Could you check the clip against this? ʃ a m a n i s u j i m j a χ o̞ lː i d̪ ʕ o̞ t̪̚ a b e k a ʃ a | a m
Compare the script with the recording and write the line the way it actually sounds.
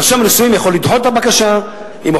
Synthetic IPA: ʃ a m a n i s u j i m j a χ o̞ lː i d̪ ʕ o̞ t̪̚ a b a k a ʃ a | i m